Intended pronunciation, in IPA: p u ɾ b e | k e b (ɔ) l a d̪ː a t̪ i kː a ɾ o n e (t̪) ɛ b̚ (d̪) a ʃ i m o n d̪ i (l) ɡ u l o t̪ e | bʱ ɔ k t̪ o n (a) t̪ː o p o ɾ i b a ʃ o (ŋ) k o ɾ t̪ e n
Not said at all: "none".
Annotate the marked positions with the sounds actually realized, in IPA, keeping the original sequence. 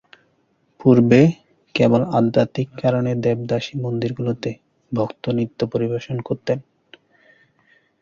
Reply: o, d̪, d̪, ɾ, i, n

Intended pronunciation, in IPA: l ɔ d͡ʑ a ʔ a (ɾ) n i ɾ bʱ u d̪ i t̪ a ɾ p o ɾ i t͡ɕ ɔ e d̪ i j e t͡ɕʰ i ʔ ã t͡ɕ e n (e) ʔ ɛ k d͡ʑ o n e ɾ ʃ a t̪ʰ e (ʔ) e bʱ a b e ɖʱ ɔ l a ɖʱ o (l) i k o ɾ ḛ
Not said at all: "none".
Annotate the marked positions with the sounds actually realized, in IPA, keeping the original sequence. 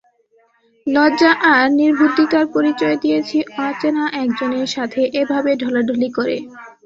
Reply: ɾ, a, ʔ, l

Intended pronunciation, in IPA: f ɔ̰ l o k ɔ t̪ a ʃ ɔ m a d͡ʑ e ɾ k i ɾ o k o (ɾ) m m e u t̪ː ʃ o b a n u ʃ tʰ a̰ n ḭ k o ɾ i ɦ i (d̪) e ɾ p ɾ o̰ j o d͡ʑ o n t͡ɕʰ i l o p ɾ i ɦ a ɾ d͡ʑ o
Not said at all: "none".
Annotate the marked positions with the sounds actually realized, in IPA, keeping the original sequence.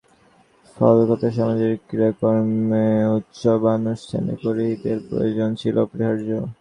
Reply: ɾ, t̪

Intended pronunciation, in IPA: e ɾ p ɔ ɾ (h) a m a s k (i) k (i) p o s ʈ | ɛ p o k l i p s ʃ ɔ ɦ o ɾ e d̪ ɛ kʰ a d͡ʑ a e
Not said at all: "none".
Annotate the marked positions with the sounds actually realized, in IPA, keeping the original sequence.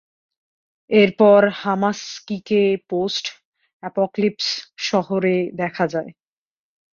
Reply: h, i, e

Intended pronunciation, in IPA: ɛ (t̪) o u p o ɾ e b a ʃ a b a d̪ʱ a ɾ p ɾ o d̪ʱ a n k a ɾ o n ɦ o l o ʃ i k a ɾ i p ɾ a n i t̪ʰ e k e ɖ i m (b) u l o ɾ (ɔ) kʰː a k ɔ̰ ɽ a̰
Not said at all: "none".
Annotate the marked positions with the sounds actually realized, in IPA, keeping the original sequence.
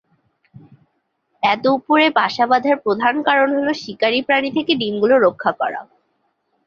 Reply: t̪, ɡ, o

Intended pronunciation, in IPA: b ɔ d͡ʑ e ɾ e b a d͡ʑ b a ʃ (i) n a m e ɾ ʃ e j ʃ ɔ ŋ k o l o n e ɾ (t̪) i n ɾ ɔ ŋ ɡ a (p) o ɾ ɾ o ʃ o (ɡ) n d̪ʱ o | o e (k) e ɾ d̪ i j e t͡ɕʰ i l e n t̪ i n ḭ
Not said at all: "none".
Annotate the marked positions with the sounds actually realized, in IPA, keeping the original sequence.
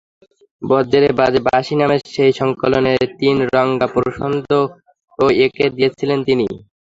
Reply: i, t̪, p, none, k

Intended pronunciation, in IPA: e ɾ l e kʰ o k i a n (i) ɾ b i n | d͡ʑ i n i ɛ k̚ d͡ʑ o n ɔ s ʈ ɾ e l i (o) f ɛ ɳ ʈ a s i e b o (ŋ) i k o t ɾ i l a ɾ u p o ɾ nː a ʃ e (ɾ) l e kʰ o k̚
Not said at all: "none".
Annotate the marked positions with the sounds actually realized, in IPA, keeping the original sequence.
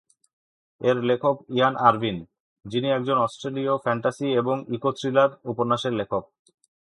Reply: a, o, ŋ, ɾ

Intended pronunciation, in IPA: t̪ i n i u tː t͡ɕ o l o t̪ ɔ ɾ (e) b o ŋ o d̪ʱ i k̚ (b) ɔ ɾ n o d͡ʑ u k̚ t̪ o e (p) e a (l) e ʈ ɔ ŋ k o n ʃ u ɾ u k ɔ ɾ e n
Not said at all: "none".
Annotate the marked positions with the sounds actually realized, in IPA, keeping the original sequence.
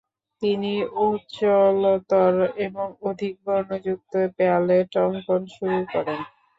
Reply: e, b, p, l

